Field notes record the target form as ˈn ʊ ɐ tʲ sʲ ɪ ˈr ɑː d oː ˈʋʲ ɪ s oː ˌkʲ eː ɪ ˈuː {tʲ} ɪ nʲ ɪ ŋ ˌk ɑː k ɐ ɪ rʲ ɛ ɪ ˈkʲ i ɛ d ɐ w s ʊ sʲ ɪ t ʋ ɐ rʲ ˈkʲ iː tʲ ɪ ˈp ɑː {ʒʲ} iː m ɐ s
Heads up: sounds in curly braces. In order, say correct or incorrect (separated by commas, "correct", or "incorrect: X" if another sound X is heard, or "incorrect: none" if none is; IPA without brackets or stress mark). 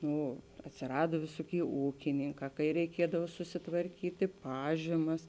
incorrect: kʲ, correct